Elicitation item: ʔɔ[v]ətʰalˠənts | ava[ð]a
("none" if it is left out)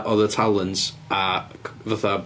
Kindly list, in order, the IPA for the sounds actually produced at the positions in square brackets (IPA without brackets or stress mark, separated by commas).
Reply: ð, θ